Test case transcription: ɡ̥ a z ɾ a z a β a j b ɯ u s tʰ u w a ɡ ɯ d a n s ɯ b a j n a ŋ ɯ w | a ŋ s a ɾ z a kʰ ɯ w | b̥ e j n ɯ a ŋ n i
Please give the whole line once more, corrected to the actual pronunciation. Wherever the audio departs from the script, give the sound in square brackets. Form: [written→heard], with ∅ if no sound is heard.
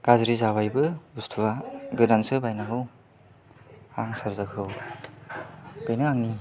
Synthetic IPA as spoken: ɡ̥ a z ɾ [a→i] z a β a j b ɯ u s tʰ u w a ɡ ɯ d a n s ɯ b a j n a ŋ ɯ w | a ŋ s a ɾ z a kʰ ɯ w | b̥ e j n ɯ a ŋ n i